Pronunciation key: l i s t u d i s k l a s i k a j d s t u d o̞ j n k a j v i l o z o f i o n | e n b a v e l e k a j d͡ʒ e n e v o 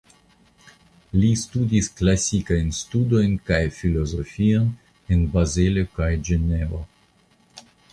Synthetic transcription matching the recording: l i s t u d i s k l a s i k a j n s t u d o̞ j n k a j f i l o z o f i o n | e n b a z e l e k a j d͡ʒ e n e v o